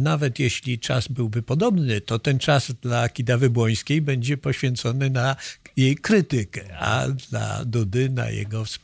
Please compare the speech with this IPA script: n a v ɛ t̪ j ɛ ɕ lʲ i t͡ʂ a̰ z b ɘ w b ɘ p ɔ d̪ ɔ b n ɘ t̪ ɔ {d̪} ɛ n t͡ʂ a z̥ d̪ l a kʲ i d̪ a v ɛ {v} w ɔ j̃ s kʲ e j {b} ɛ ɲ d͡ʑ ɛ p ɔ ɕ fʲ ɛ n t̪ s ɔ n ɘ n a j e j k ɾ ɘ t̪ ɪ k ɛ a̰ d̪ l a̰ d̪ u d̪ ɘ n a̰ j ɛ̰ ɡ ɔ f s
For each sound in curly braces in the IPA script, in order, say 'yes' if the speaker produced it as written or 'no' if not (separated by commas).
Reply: no, no, yes